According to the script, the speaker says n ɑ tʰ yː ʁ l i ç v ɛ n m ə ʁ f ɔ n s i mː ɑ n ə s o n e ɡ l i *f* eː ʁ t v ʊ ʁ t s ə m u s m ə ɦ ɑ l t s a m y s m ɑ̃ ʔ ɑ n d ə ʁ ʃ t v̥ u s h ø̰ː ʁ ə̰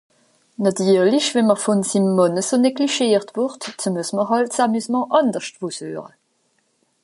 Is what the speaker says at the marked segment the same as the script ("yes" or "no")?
no